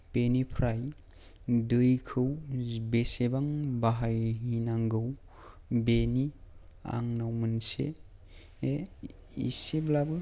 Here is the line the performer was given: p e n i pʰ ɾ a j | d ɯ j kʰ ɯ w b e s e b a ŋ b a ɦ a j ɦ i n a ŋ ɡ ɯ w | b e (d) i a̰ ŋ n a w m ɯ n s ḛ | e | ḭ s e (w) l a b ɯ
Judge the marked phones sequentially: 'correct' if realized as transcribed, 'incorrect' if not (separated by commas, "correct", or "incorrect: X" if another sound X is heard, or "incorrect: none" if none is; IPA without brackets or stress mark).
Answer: incorrect: n, incorrect: b